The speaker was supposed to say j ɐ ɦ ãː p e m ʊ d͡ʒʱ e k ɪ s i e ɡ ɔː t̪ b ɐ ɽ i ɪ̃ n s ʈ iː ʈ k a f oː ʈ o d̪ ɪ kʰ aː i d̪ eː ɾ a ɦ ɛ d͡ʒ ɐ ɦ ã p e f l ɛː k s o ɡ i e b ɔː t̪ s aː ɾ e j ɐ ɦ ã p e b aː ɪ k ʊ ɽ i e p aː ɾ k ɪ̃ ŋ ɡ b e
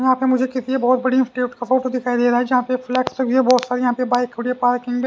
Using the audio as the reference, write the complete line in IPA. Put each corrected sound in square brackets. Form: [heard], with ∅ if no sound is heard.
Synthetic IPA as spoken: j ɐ ɦ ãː p e m ʊ d͡ʒʱ e k ɪ s i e [b] ɔː t̪ b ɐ ɽ i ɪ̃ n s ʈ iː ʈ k a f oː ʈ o d̪ ɪ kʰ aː i d̪ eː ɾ a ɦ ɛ d͡ʒ ɐ ɦ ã p e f l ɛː k s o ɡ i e b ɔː t̪ s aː ɾ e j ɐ ɦ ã p e b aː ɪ k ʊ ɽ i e p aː ɾ k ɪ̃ ŋ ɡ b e